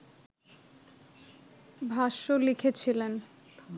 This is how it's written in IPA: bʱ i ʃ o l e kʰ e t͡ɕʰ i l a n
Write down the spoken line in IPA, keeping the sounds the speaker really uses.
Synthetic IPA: bʱ a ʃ o l i kʰ e t͡ɕʰ i l e n